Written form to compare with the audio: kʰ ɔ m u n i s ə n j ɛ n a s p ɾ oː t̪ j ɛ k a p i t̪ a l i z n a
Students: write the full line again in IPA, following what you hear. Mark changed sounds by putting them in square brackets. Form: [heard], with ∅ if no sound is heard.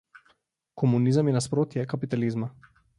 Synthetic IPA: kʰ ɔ m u n i [z] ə [m] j ɛ n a s p ɾ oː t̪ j ɛ k a p i t̪ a l i z [m] a